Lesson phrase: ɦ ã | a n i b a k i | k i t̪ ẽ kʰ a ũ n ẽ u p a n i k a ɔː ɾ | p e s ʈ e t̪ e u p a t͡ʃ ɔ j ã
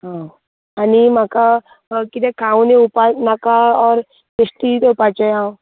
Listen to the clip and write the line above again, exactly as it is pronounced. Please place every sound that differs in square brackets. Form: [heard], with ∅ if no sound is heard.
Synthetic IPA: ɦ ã | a n i [m] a k [a] | k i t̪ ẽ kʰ a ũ n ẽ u p a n [a] k a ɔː ɾ | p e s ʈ [i] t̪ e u p a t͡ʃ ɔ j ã